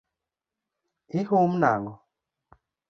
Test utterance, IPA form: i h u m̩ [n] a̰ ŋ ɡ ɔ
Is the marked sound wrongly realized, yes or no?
no